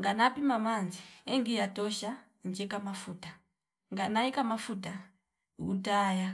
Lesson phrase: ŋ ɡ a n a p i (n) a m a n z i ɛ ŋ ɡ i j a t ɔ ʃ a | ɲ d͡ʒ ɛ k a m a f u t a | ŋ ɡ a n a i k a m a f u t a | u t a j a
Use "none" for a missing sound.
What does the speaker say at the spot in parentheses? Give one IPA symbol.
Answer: m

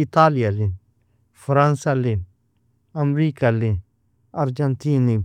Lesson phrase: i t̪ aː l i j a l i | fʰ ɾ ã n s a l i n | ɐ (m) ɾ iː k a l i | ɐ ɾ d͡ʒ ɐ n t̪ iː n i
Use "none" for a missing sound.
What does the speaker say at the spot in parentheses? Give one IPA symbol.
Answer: m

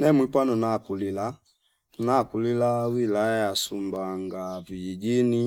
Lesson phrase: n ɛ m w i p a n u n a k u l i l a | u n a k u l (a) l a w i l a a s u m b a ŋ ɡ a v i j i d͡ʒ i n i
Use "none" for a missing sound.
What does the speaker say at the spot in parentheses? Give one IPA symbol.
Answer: i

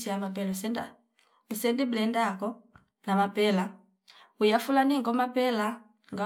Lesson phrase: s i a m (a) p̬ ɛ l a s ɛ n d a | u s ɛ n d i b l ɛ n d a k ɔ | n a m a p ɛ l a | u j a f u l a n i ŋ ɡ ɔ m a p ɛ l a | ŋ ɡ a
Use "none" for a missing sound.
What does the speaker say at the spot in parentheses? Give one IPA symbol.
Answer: a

